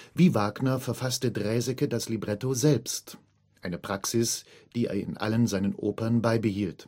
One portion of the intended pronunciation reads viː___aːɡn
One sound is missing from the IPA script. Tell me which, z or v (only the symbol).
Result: v